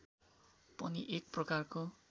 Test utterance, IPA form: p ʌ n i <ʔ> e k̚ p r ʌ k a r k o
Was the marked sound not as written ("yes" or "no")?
no